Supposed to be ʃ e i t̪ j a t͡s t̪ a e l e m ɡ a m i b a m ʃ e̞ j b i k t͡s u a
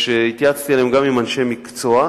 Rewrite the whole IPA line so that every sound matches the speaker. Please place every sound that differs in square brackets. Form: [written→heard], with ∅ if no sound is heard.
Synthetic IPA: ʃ e i t̪ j a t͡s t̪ [a→i] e l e m ɡ a m i [b→m] a [m→n] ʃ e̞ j [b→m] i k t͡s [u→o] a